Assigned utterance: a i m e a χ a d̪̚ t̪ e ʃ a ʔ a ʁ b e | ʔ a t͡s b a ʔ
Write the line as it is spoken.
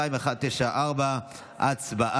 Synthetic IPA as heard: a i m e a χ a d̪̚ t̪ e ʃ a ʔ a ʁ b a | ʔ a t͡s b a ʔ